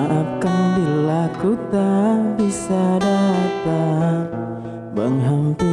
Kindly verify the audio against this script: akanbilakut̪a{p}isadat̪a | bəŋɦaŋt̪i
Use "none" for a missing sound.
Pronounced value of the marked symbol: b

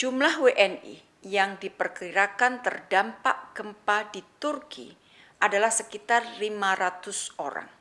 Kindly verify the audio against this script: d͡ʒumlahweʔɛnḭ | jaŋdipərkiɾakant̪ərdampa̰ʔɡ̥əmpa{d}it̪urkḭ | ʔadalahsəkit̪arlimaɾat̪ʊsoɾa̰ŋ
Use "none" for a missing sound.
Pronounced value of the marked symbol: d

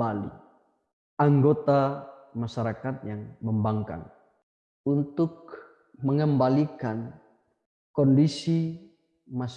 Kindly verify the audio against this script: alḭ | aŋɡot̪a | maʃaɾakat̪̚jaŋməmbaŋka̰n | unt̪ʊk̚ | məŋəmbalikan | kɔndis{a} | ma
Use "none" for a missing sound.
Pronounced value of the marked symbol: i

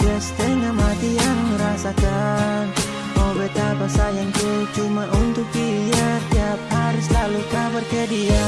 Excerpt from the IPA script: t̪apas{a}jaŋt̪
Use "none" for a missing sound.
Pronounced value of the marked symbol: a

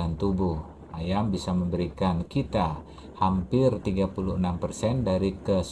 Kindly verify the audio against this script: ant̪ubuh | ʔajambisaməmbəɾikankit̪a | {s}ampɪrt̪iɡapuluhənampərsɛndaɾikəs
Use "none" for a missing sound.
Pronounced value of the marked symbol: h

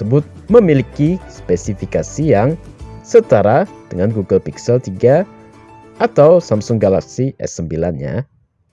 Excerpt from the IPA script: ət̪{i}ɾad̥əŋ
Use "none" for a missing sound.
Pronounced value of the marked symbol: a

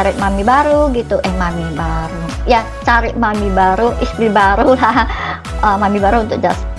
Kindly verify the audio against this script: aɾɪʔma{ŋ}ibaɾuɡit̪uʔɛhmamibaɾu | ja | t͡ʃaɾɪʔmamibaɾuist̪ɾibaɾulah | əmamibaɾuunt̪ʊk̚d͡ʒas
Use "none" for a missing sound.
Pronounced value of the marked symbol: m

